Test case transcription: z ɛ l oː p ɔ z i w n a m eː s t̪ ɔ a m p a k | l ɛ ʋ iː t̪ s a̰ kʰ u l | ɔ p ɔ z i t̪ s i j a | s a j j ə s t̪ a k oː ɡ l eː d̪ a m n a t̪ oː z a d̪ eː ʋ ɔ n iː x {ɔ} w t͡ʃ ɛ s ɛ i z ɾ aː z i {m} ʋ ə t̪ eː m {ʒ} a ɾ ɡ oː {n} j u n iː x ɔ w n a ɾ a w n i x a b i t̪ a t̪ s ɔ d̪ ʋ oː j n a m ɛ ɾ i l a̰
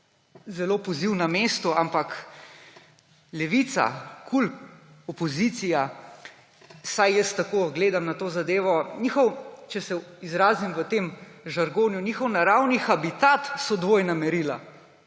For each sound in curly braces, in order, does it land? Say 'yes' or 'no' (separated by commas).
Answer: yes, yes, yes, yes